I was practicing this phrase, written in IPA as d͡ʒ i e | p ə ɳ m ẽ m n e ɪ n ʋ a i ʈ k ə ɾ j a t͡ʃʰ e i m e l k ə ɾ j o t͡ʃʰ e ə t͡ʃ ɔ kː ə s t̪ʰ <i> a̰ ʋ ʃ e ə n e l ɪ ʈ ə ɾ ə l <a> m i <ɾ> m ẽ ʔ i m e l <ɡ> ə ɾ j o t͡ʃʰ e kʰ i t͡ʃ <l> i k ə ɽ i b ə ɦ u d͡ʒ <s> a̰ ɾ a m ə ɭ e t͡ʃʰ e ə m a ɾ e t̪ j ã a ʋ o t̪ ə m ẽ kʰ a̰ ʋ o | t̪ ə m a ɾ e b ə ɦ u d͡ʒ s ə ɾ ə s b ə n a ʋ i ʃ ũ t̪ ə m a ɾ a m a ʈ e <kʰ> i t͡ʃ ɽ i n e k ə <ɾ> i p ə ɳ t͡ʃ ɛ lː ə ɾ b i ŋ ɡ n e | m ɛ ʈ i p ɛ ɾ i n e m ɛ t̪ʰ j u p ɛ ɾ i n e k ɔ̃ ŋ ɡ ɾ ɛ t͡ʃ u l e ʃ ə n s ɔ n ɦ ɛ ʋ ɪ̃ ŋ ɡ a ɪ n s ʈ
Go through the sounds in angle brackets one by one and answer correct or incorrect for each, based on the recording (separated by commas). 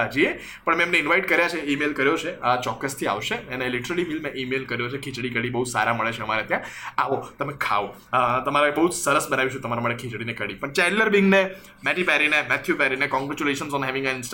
correct, incorrect, incorrect, incorrect, incorrect, correct, correct, incorrect